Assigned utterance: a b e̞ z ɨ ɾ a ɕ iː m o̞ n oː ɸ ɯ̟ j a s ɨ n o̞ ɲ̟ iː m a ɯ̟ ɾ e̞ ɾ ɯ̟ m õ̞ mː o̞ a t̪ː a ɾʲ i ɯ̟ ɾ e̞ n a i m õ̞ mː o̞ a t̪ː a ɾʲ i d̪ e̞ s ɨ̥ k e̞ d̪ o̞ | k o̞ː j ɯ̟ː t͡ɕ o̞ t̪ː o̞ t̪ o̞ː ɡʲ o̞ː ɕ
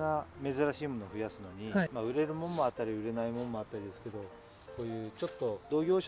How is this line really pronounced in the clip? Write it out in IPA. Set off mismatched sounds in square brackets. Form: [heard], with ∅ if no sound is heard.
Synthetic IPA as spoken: a [m] e̞ z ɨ ɾ a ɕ iː m o̞ n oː ɸ ɯ̟ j a s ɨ n o̞ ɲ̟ [i] m a ɯ̟ ɾ e̞ ɾ ɯ̟ m õ̞ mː o̞ a t̪ː a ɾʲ i ɯ̟ ɾ e̞ n a i m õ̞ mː o̞ a t̪ː a ɾʲ i d̪ e̞ s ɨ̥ k e̞ d̪ o̞ | k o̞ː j ɯ̟ː t͡ɕ o̞ t̪ː o̞ [d̪] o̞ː ɡʲ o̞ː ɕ